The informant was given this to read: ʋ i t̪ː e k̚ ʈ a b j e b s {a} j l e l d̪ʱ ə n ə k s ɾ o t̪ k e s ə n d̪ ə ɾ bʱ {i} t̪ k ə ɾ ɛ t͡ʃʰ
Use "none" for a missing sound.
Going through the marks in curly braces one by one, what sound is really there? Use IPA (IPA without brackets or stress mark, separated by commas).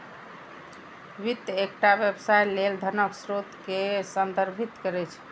a, i